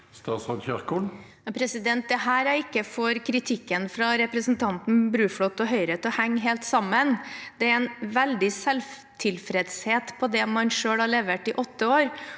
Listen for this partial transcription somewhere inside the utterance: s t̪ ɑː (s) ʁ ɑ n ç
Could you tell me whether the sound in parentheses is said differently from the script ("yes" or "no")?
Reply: no